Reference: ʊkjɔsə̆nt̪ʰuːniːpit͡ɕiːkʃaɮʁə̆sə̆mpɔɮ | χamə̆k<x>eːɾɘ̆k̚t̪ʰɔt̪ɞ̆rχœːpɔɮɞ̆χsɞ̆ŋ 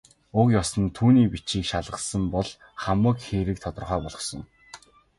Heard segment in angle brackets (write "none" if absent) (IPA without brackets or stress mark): x